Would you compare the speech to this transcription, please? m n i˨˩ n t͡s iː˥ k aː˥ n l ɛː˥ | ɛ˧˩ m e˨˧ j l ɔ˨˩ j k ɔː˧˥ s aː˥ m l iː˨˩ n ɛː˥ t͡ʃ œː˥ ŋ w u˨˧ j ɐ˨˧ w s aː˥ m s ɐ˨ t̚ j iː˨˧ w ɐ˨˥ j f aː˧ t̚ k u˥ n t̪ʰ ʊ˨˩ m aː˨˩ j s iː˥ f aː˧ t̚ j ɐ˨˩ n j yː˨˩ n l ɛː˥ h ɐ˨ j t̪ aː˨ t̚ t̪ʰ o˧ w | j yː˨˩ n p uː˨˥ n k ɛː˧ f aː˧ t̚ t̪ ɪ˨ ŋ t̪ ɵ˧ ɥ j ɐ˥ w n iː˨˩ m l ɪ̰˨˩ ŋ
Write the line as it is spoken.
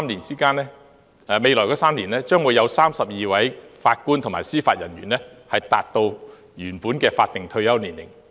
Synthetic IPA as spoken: m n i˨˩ n t͡s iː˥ k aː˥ n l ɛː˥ | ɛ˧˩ m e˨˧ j l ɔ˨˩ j k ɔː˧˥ s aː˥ m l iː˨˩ n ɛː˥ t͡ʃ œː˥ ŋ w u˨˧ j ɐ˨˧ w s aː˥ m s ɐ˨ p̚ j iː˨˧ w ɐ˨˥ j f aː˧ t̚ k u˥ n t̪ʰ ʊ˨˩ m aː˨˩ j s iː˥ f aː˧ t̚ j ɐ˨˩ n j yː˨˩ n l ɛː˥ h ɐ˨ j t̪ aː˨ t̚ t̪ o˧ w | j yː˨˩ n p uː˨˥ n k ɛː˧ f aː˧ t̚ t̪ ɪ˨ ŋ t̪ʰ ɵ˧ ɥ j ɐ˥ w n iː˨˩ n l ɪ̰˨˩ ŋ